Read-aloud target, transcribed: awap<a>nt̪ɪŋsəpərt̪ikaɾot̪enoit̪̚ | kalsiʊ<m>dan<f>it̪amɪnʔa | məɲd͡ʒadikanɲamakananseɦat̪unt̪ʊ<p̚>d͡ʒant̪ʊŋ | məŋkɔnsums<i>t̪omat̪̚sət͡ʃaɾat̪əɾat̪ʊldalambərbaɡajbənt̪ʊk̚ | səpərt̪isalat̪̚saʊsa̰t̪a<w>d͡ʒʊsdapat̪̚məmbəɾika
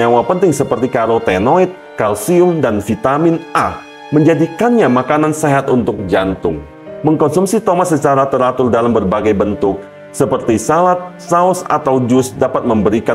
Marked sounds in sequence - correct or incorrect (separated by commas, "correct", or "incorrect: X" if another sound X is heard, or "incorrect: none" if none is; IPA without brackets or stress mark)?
incorrect: ə, correct, correct, incorrect: k̚, correct, correct